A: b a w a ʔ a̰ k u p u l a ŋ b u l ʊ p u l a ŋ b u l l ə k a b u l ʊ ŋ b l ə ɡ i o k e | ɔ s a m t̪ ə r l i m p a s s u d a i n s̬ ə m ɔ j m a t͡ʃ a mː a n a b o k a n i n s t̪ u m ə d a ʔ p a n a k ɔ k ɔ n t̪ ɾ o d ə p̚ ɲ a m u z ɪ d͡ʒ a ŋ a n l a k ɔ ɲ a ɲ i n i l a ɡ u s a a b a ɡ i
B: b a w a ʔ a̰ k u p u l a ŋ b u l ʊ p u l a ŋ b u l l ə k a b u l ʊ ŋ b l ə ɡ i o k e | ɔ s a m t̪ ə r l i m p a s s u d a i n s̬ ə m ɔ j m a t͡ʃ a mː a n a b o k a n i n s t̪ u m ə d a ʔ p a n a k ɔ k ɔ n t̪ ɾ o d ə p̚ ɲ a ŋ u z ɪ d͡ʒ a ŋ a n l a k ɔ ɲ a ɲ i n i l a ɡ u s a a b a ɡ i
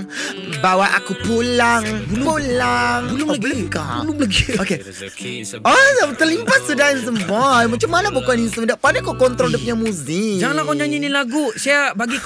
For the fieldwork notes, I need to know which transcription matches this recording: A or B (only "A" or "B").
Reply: A